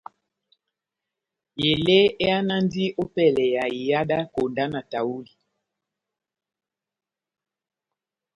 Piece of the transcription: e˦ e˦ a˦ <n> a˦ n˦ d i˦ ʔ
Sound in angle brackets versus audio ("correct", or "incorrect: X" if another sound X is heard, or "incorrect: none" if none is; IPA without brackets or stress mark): correct